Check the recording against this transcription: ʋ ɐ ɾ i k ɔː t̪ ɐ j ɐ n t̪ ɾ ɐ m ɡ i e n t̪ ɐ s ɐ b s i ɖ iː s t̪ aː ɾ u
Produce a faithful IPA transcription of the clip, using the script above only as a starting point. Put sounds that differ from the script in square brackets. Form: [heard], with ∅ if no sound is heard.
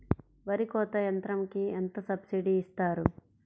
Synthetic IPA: ʋ ɐ ɾ i k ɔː t̪ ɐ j ɐ n t̪ ɾ ɐ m [k] i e n t̪ ɐ s ɐ b s i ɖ iː s t̪ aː ɾ u